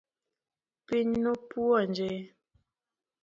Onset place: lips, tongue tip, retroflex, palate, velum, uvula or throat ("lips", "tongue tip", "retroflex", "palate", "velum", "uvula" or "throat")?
lips